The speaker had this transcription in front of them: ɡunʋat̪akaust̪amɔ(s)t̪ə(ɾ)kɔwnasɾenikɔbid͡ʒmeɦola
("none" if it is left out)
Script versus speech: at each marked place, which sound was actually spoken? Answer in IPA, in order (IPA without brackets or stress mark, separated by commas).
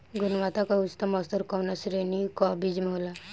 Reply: s, ɾ